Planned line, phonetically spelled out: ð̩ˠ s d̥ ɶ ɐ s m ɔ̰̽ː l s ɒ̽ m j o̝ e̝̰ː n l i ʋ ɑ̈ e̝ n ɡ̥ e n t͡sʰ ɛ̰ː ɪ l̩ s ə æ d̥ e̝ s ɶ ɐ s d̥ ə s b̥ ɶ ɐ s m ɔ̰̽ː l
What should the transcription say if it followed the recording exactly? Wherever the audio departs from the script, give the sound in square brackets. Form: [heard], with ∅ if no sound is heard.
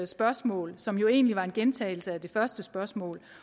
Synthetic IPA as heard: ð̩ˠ s [b̥] ɶ ɐ s m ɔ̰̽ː l s ɒ̽ m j o̝ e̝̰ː n l i ʋ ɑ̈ e̝ n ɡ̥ e n t͡sʰ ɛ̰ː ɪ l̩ s ə æ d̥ e̝ [f] ɶ ɐ s d̥ ə s b̥ ɶ ɐ s m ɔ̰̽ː l